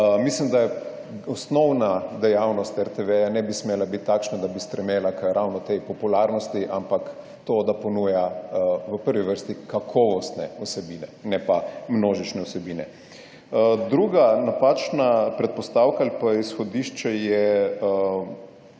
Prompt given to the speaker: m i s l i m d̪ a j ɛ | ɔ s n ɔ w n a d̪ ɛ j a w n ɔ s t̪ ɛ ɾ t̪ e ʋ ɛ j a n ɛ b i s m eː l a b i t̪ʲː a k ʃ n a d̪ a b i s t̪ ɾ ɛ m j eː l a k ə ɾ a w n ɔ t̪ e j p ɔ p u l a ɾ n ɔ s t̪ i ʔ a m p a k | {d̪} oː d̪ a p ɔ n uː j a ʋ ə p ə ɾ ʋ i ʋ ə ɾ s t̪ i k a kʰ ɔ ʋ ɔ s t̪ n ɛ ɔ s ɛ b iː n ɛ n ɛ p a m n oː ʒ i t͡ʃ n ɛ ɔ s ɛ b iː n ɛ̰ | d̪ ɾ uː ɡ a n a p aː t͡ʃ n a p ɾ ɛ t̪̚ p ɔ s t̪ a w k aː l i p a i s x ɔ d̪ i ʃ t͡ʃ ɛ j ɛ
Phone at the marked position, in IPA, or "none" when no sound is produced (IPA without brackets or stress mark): t̪